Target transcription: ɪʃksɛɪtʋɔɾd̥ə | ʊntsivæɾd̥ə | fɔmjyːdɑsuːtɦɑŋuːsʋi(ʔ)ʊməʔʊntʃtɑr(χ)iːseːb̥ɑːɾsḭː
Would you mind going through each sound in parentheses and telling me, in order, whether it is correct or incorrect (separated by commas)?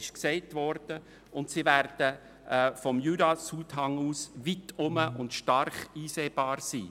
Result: incorrect, correct